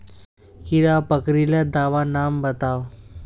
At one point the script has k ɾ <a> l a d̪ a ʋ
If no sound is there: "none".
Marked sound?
i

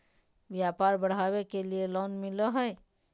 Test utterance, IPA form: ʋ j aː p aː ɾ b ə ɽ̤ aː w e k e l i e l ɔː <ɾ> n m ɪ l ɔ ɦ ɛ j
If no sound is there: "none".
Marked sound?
none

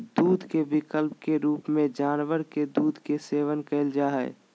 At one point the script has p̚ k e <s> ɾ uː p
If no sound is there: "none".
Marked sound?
none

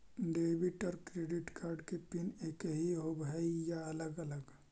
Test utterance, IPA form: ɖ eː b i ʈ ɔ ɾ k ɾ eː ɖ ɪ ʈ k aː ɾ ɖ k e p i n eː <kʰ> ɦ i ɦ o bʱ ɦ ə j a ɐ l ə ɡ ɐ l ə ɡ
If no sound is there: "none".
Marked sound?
k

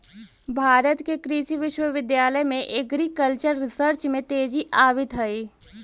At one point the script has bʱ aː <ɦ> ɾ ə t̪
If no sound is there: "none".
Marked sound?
none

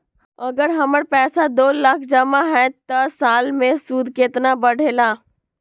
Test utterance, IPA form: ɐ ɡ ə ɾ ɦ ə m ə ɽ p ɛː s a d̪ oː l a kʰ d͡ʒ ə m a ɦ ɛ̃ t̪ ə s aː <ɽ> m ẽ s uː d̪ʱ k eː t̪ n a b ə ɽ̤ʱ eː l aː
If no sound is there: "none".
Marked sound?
l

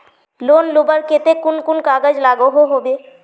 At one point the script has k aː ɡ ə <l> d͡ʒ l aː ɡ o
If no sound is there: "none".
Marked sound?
none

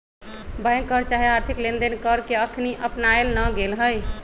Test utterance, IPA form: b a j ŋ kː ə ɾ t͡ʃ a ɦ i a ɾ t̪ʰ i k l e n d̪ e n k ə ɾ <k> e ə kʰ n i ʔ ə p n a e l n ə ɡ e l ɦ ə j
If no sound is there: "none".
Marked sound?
k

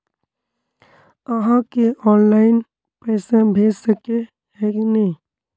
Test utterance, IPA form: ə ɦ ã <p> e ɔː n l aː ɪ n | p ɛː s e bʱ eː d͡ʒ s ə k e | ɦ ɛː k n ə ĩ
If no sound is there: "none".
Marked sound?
k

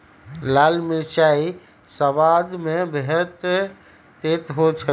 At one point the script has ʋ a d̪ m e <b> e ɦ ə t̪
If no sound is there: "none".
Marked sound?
b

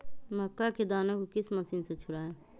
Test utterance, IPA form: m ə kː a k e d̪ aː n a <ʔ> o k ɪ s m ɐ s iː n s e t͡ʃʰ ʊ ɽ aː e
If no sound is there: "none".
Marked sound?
k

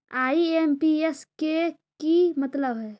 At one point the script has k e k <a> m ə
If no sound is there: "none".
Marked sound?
i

